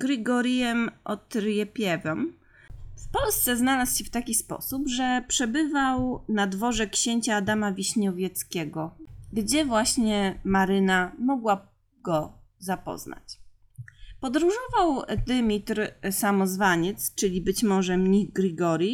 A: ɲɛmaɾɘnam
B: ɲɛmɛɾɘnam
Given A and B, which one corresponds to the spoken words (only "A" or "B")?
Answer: A